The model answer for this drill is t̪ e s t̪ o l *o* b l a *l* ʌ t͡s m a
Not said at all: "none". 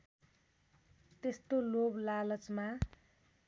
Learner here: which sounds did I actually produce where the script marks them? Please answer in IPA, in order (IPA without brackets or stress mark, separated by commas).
o, l